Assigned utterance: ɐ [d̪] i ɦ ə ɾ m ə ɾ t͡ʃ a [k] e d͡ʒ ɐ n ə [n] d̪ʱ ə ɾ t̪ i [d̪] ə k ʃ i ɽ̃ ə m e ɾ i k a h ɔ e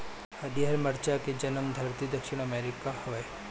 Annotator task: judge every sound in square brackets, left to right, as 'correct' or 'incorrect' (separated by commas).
correct, correct, incorrect, correct